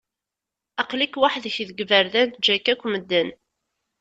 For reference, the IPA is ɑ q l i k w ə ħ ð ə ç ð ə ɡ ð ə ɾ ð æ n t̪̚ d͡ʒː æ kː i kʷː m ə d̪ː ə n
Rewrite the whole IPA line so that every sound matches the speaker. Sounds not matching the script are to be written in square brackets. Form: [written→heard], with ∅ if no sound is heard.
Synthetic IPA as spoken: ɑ q l i k w [ə→a] ħ ð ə ç ð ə ɡ [ð→v] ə ɾ ð æ n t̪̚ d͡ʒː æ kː [i→æ] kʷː m ə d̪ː ə n